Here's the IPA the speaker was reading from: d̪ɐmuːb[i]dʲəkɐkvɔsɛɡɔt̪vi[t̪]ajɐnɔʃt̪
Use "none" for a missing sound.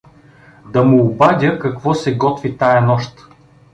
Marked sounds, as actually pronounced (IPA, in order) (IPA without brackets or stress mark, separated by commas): a, t̪